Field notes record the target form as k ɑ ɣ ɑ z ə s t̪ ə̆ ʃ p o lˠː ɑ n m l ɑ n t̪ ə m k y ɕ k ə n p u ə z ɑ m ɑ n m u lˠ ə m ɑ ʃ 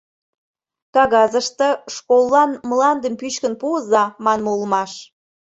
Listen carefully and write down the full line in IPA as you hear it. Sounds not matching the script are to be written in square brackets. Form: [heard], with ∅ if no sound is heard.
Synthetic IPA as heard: k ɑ ɣ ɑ z ə [ʃ] t̪ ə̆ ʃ [k] o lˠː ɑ n m l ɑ n [d̪] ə m [p] y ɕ k ə n p u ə z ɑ m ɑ n m u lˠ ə m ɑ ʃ